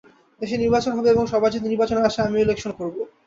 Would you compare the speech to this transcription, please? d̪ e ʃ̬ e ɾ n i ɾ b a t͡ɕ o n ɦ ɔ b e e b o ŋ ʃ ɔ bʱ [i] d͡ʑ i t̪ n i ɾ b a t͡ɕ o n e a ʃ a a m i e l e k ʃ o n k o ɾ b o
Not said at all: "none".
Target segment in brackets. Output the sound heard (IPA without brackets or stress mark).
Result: a